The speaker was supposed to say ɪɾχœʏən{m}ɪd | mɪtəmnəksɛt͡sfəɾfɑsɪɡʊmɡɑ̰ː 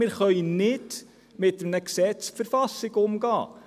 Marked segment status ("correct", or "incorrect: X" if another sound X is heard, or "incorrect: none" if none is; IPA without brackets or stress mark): incorrect: n